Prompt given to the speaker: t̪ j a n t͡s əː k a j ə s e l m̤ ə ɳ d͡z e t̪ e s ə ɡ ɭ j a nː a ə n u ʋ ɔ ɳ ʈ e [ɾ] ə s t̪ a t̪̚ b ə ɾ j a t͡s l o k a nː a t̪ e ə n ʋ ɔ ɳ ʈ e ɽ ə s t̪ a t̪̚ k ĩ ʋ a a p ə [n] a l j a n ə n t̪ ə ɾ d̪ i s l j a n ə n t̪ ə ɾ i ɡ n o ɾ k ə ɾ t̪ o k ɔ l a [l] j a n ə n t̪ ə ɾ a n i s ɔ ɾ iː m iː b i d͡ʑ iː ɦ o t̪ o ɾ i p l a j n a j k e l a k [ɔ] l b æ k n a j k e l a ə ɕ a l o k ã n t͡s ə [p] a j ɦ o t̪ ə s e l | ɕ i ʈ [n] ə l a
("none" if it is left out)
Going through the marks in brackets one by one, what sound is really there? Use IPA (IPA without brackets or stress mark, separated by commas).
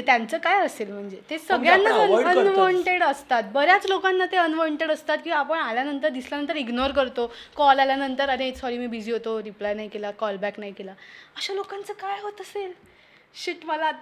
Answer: ɽ, ɳ, l, ɔ, k, m